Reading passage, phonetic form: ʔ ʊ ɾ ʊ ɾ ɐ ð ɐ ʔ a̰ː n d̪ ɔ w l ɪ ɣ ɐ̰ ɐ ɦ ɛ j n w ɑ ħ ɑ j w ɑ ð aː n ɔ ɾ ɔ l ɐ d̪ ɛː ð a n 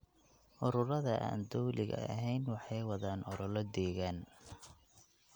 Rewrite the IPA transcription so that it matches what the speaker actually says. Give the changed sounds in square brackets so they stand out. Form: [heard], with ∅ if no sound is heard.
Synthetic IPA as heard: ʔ ʊ ɾ ʊ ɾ ɐ ð ɐ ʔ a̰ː n d̪ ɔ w l ɪ ɣ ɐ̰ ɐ ɦ ɛ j n w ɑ ħ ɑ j w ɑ ð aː n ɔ ɾ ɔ l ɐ d̪ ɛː [ɣ] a n